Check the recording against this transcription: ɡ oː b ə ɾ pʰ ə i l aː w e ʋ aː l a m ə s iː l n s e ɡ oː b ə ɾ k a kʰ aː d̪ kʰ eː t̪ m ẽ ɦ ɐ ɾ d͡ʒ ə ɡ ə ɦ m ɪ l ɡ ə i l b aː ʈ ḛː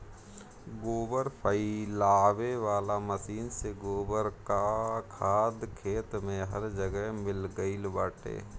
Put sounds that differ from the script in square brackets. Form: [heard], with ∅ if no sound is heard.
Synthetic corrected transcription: ɡ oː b ə ɾ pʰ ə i l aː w e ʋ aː l a m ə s iː [∅] n s e ɡ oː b ə ɾ k a kʰ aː d̪ kʰ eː t̪ m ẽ ɦ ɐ ɾ d͡ʒ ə ɡ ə ɦ m ɪ l ɡ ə i l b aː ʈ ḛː